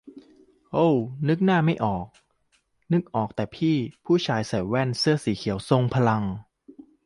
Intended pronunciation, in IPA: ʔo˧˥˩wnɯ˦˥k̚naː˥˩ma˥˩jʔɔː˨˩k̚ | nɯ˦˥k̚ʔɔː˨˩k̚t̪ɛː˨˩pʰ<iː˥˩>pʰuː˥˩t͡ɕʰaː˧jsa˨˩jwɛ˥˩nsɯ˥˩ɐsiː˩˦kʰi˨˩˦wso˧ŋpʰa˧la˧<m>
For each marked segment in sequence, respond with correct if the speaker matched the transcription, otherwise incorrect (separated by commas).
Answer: correct, incorrect